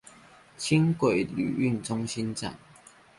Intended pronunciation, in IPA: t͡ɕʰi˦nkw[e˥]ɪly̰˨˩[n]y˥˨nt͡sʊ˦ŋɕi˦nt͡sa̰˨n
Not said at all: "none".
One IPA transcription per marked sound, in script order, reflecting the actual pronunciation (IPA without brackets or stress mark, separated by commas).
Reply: e˨˩, none